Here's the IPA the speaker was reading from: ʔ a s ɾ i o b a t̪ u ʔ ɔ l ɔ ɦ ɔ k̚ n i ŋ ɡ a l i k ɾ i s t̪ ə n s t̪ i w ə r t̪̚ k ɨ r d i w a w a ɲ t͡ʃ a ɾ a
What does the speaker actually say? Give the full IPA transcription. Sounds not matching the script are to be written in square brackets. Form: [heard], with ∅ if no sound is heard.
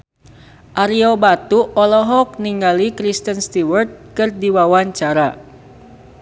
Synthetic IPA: ʔ a [∅] ɾ i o b a t̪ u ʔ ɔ l ɔ ɦ ɔ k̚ n i ŋ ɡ a l i k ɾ i s t̪ ə n s t̪ i w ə r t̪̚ k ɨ r d i w a w a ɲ t͡ʃ a ɾ a